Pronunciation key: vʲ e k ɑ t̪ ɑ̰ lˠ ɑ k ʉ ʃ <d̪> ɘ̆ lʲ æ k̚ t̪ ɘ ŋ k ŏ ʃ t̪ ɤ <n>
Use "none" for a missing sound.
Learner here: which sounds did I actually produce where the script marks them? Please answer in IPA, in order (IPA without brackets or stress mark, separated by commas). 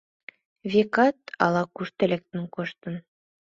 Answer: t̪, n